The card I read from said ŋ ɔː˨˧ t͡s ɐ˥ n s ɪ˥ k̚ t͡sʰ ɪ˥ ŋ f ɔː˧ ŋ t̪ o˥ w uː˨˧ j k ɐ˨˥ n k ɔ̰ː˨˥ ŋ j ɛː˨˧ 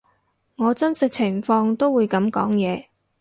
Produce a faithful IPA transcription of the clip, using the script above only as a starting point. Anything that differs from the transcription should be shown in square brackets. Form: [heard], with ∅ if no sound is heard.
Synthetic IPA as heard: ŋ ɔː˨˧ t͡s ɐ˥ n s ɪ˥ k̚ t͡sʰ [ɪ˨˩] ŋ f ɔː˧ ŋ t̪ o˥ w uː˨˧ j k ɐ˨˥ [m] k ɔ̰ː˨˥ ŋ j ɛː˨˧